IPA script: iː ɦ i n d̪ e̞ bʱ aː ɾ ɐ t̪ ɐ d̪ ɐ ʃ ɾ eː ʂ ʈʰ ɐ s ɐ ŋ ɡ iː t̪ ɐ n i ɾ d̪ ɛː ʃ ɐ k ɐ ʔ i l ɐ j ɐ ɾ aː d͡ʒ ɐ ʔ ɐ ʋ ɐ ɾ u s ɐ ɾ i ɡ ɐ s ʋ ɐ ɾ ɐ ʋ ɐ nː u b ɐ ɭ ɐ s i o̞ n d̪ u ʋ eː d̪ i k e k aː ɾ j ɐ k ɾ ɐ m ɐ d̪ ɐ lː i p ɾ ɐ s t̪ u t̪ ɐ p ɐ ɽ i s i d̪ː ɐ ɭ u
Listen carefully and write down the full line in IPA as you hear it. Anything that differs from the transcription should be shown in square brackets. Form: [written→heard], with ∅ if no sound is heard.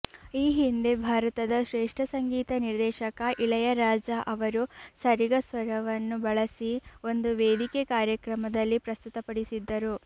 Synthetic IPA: iː ɦ i n d̪ e̞ bʱ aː ɾ ɐ t̪ ɐ d̪ ɐ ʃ ɾ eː ʂ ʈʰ ɐ s ɐ ŋ ɡ iː t̪ ɐ n i ɾ d̪ ɛː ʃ ɐ k ɐ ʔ i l ɐ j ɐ ɾ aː d͡ʒ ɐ ʔ ɐ ʋ ɐ ɾ u s ɐ ɾ i ɡ ɐ s ʋ ɐ ɾ ɐ ʋ ɐ nː u b ɐ ɭ ɐ s i o̞ n d̪ u ʋ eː d̪ i k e k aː ɾ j ɐ k ɾ ɐ m ɐ d̪ ɐ lː i p ɾ ɐ s t̪ u t̪ ɐ p ɐ ɽ i s i d̪ː ɐ [ɭ→ɾ] u

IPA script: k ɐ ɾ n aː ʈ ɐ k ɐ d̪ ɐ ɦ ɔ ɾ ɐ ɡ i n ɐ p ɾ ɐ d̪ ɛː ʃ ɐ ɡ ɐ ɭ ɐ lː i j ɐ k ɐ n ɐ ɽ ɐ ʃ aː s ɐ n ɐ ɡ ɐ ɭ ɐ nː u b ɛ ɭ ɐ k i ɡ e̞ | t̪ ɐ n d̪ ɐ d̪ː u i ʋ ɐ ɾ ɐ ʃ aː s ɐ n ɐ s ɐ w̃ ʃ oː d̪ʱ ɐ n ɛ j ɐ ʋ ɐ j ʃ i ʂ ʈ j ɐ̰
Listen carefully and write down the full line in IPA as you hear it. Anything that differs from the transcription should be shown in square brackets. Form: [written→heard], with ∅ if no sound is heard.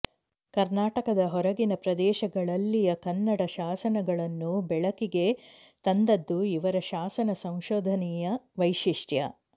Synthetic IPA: k ɐ ɾ n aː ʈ ɐ k ɐ d̪ ɐ ɦ ɔ ɾ ɐ ɡ i n ɐ p ɾ ɐ d̪ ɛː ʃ ɐ ɡ ɐ ɭ ɐ lː i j ɐ k ɐ [n→nː] ɐ ɽ ɐ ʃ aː s ɐ n ɐ ɡ ɐ ɭ ɐ nː u b ɛ ɭ ɐ k i ɡ e̞ | t̪ ɐ n d̪ ɐ d̪ː u i ʋ ɐ ɾ ɐ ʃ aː s ɐ n ɐ s ɐ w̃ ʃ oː d̪ʱ ɐ n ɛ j ɐ ʋ ɐ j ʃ i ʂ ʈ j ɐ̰

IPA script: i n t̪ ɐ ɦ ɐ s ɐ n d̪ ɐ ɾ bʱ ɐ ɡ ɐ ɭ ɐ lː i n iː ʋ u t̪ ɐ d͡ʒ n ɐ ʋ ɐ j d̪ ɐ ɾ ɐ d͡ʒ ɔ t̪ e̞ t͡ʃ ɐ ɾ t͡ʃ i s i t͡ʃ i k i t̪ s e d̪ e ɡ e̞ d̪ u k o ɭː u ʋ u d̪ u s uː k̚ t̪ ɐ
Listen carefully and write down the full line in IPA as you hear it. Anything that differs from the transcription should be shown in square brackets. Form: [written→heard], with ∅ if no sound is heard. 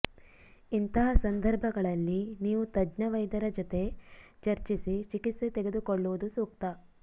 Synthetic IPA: i n t̪ ɐ ɦ ɐ s ɐ n d̪ ɐ ɾ bʱ ɐ ɡ ɐ ɭ ɐ lː i n iː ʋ u t̪ ɐ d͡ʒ n ɐ ʋ ɐ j d̪ ɐ ɾ ɐ d͡ʒ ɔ t̪ e̞ t͡ʃ ɐ ɾ t͡ʃ i s i t͡ʃ i k i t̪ s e [d̪→t̪] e ɡ e̞ d̪ u k o ɭː u ʋ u d̪ u s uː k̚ t̪ ɐ

